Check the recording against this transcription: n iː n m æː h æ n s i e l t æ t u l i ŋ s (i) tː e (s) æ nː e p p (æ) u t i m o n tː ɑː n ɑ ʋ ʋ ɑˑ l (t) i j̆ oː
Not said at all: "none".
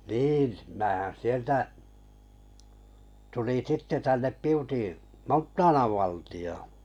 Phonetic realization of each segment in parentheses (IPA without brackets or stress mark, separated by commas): i, t, i, t